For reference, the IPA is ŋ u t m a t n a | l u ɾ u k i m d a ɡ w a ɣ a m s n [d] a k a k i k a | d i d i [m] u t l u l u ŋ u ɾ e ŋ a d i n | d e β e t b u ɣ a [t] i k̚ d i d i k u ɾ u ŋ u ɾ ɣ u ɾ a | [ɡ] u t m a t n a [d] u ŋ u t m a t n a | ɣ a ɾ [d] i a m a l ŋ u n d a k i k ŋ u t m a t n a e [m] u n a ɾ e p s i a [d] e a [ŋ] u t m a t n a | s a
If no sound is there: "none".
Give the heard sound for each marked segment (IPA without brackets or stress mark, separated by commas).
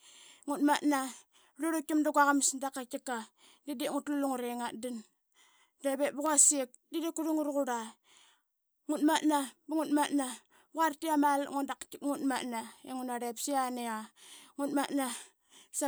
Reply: d, ŋ, s, ŋ, b, t, ŋ, n, ŋ